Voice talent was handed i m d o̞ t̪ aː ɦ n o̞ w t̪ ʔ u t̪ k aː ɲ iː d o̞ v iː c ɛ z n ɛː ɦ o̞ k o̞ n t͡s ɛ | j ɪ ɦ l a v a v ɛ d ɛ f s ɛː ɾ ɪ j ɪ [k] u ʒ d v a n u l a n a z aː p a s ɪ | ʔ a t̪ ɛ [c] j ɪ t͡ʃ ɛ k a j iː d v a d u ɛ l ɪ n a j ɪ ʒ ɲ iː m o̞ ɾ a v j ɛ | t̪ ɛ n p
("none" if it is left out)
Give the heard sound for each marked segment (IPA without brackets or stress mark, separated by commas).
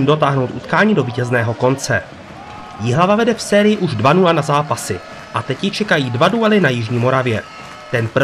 ʔ, c